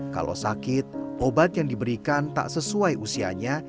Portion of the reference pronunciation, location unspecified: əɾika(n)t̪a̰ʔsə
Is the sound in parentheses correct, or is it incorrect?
correct